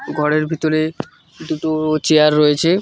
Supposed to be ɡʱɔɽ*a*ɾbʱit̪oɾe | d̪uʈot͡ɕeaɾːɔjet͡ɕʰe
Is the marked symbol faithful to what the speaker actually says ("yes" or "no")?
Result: no